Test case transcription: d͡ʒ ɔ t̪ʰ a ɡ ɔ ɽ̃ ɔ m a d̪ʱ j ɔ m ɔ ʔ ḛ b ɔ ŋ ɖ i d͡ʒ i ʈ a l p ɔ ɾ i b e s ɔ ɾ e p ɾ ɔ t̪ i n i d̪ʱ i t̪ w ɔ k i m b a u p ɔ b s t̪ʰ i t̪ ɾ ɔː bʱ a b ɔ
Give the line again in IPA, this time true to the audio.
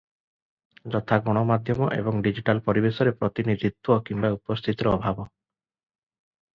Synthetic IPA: d͡ʒ ɔ t̪ʰ a ɡ ɔ ɽ̃ ɔ m a d̪ʱ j ɔ m ɔ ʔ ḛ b ɔ ŋ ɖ i d͡ʒ i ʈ a l p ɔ ɾ i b e s ɔ ɾ e p ɾ ɔ t̪ i n i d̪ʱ i t̪ w ɔ k i m b a u p ɔ s t̪ʰ i t̪ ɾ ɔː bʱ a b ɔ